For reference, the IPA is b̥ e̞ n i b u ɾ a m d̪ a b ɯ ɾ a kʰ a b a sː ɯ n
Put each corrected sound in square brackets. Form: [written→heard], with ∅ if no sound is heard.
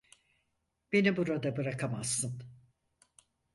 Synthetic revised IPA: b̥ e̞ n i b u ɾ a [m→∅] d̪ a b ɯ ɾ a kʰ a [b→m] a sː ɯ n